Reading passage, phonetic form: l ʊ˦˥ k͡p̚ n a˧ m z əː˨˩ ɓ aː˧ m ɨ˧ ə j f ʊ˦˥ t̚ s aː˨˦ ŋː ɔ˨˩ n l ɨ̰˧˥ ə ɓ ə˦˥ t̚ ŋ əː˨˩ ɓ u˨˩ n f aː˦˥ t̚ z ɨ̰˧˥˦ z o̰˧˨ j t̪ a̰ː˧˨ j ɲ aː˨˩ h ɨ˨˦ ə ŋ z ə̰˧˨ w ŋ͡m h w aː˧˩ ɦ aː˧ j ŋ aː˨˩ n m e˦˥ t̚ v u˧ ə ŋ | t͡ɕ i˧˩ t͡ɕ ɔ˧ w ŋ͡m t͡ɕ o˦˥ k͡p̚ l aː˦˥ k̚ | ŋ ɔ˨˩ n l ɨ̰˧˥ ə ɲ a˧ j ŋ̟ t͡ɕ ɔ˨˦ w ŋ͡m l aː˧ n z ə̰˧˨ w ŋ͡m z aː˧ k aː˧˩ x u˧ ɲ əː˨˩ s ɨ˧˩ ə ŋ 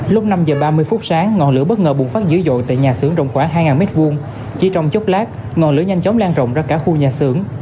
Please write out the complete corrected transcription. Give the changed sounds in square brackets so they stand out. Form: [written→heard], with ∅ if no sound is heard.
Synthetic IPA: l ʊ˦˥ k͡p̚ n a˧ m z əː˨˩ ɓ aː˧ m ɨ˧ ə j f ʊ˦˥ t̚ s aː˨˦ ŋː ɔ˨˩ n l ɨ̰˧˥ ə ɓ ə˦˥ t̚ ŋ əː˨˩ ɓ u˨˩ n f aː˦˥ t̚ z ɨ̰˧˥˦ z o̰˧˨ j t̪ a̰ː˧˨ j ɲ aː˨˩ [h→s] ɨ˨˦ ə ŋ z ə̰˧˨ w ŋ͡m [h→x] w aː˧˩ ɦ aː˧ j ŋ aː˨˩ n m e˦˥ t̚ v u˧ ə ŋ | t͡ɕ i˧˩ t͡ɕ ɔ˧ w ŋ͡m t͡ɕ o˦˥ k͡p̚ l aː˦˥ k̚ | ŋ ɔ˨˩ n l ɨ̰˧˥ ə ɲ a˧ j ŋ̟ t͡ɕ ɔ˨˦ w ŋ͡m l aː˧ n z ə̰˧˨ w ŋ͡m z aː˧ k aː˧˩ x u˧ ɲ [əː˨˩→aː˨˩] s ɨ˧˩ ə ŋ